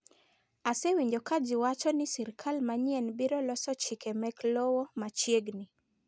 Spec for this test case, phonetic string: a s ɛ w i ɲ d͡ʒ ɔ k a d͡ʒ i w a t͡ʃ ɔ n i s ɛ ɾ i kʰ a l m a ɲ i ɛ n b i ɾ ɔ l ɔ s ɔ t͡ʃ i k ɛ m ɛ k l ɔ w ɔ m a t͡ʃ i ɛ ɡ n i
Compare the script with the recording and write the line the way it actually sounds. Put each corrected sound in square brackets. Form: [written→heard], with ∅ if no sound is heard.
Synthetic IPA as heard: a s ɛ w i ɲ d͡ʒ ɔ k a d͡ʒ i w a t͡ʃ ɔ n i s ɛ ɾ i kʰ a l m a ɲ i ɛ n b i ɾ ɔ l ɔ s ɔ t͡ʃ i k ɛ m ɛ k l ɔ w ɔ m a t͡ʃ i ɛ ɡ n i